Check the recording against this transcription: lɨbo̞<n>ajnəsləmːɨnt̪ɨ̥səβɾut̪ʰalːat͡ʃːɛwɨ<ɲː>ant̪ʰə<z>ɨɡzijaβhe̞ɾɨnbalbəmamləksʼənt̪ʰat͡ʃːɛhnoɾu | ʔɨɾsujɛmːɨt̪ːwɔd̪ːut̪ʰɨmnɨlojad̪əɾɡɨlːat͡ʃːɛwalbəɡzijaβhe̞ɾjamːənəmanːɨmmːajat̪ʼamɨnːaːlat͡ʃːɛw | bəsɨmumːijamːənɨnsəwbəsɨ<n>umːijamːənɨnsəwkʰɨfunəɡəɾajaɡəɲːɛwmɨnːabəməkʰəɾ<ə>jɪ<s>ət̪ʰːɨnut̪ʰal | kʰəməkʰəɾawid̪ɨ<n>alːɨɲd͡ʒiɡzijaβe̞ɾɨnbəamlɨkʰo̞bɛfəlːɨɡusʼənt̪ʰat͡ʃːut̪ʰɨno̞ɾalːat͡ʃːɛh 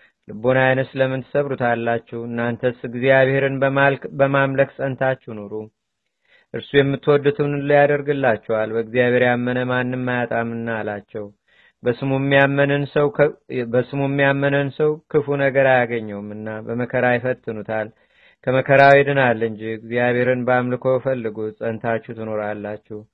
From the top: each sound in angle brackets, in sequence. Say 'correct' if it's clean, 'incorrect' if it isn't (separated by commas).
correct, incorrect, incorrect, incorrect, incorrect, incorrect, correct